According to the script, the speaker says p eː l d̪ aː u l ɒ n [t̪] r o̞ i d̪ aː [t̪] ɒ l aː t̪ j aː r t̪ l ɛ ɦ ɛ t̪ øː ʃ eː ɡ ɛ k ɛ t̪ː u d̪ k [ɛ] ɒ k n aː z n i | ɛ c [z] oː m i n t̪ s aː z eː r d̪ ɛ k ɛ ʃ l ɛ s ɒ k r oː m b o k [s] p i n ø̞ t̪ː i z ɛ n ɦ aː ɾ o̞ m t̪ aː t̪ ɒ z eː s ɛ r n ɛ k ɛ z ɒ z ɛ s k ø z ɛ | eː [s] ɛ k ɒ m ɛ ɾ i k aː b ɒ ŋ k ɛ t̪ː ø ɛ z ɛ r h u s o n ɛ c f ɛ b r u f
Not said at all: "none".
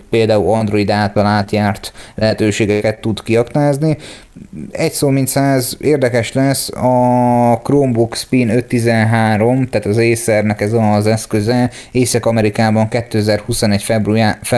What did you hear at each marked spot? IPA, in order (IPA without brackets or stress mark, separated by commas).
d̪, t̪, i, s, s, s